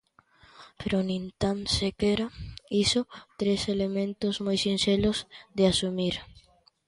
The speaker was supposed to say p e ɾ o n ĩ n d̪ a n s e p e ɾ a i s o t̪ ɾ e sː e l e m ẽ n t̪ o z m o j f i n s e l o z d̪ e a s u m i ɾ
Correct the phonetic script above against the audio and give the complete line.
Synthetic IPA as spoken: p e ɾ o n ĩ n t̪ a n s e k e ɾ a i s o t̪ ɾ e s e l e m ẽ n t̪ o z m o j s i n s e l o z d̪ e a s u m i ɾ